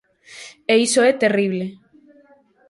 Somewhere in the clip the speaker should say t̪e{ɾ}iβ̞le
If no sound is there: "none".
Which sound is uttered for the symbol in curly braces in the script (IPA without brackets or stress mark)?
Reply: r